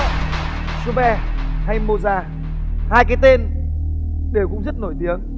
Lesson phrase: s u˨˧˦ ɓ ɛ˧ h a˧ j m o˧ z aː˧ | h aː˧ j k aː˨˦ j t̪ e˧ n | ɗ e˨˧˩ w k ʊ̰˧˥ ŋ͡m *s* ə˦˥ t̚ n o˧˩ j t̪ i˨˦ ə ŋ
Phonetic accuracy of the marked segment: incorrect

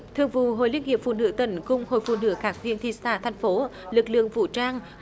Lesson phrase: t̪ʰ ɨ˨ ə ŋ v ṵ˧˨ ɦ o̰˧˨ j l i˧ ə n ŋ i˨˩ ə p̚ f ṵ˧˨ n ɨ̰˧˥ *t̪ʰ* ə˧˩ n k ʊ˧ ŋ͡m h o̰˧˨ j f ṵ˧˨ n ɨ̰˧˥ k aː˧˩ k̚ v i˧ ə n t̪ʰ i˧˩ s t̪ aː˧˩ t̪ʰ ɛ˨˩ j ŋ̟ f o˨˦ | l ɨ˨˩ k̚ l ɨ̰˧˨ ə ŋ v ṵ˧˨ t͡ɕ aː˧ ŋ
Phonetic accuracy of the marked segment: incorrect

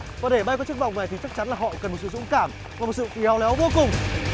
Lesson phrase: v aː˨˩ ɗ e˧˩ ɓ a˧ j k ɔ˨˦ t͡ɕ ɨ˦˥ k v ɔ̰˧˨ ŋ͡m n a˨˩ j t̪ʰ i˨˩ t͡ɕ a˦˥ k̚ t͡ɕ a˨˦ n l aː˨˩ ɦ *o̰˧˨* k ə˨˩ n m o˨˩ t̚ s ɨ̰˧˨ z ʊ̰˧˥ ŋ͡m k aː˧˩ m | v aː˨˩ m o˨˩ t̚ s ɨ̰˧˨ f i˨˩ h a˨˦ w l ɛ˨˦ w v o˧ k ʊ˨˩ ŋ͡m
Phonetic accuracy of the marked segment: incorrect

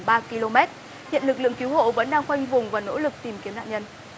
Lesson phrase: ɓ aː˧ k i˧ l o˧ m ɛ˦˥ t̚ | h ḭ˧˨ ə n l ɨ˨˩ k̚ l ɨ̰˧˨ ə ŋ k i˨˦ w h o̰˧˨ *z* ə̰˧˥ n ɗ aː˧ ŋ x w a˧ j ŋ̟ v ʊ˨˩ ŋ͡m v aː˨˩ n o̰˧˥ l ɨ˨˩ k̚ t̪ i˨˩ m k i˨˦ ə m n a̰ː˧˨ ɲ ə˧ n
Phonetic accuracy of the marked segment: incorrect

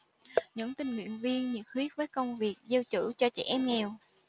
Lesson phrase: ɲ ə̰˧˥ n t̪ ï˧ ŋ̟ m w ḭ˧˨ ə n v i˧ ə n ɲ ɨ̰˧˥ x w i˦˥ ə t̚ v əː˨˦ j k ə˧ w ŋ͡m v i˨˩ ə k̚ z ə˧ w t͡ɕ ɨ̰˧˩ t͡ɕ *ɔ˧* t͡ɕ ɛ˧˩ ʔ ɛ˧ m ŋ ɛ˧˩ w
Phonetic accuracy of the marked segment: correct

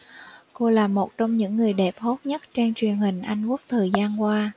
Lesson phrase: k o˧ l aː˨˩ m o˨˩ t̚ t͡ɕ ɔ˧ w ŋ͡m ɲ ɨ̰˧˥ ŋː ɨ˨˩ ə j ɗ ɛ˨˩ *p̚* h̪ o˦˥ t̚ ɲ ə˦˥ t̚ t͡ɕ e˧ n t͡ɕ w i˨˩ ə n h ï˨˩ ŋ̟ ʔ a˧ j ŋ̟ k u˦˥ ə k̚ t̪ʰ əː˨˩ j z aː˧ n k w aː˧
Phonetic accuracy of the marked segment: correct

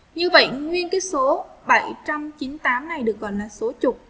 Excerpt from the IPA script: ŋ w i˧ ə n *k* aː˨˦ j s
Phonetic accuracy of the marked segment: correct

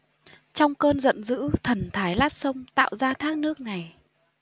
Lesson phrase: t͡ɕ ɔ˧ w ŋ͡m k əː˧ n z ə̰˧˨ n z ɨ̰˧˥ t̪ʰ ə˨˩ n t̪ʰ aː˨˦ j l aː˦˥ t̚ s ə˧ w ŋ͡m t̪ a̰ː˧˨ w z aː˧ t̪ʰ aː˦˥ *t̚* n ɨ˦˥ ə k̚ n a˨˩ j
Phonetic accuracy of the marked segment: incorrect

